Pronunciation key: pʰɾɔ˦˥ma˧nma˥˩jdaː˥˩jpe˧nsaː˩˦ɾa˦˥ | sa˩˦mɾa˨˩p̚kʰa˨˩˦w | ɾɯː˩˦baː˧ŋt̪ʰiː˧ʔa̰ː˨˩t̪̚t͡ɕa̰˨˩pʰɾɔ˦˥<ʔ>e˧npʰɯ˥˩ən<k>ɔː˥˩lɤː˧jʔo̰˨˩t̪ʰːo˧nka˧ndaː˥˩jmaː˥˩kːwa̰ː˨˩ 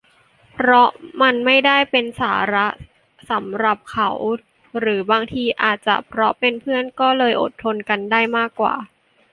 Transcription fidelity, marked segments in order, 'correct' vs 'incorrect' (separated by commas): incorrect, correct